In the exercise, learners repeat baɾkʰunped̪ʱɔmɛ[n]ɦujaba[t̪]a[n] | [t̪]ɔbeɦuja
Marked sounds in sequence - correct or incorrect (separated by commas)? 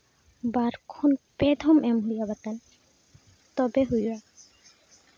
incorrect, correct, correct, correct